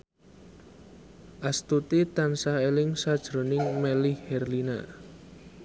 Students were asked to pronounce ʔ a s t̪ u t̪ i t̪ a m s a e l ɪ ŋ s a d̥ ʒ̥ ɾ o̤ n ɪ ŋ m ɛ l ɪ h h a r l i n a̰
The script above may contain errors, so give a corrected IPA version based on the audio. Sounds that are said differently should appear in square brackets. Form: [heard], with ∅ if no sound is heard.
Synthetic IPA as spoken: ʔ a s t̪ u t̪ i t̪ a [n] s a e l ɪ ŋ s a d̥ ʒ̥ ɾ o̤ n ɪ ŋ m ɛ l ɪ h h [ɛ] r l i n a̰